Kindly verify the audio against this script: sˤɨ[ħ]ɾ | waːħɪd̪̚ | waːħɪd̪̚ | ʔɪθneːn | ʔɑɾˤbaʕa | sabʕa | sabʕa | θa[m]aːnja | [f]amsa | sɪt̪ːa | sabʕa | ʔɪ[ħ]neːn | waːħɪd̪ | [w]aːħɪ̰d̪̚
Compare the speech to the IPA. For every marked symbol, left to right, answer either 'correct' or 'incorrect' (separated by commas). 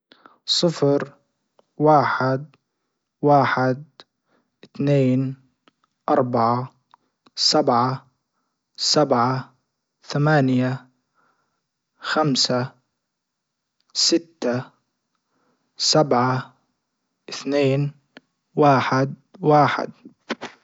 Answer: incorrect, correct, incorrect, incorrect, correct